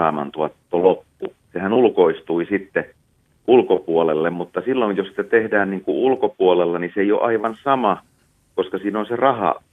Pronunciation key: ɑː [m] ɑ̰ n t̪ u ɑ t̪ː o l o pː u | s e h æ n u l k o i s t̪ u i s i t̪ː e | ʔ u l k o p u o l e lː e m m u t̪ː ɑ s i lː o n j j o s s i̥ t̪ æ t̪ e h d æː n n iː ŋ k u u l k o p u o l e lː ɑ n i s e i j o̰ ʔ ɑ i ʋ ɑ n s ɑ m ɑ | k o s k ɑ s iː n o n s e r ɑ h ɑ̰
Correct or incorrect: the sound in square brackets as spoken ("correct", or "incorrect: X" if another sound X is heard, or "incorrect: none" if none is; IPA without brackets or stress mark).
correct